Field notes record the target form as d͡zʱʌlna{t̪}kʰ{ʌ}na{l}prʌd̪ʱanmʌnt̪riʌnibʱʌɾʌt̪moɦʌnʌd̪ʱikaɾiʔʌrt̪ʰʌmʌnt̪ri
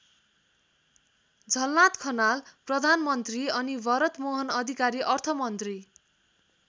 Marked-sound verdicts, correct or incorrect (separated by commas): correct, correct, correct